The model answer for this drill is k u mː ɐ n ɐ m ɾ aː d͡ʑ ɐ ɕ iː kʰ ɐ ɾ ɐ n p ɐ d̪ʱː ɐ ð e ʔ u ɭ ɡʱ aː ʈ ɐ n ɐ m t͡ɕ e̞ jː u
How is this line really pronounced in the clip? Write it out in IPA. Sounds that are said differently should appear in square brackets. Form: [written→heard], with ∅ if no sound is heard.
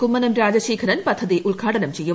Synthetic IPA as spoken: k u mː ɐ n ɐ m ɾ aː d͡ʑ ɐ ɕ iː kʰ ɐ ɾ ɐ n p ɐ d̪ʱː ɐ ð [e→i] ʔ u ɭ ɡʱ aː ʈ ɐ n ɐ m t͡ɕ e̞ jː u